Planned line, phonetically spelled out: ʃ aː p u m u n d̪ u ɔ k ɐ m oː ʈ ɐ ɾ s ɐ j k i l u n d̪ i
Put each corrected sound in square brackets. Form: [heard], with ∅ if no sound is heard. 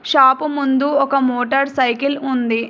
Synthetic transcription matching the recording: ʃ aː p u m u n d̪ u ɔ k ɐ m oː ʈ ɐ ɾ s ɐ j k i l u n d̪ i